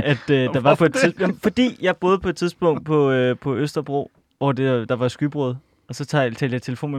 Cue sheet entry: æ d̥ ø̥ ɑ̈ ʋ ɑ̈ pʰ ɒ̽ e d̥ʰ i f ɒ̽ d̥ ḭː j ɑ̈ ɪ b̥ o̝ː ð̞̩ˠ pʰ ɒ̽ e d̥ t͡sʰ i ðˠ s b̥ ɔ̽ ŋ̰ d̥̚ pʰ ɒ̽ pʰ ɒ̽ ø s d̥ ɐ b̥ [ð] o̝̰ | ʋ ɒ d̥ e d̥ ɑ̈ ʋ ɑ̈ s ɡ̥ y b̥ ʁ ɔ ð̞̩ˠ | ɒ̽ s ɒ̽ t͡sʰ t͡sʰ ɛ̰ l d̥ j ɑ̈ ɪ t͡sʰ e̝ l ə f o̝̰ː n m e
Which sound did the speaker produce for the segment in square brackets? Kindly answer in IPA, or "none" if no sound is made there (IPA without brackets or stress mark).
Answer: ʁ